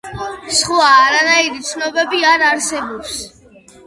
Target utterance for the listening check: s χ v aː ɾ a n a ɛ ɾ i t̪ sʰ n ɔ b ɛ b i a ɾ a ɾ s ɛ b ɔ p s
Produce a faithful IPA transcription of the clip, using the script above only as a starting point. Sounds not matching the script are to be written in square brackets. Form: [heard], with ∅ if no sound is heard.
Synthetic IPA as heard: s χ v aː ɾ a n a [i] ɾ i t̪ sʰ n ɔ b ɛ b i a ɾ a ɾ s ɛ b ɔ p s